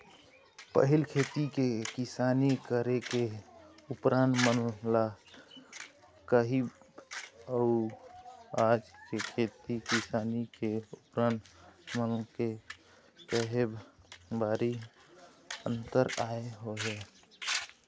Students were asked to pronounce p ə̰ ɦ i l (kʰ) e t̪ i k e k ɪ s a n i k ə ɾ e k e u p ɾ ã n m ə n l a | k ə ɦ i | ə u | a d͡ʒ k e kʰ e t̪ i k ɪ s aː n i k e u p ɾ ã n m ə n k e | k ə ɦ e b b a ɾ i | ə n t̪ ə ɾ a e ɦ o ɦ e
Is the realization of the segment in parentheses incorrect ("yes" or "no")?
no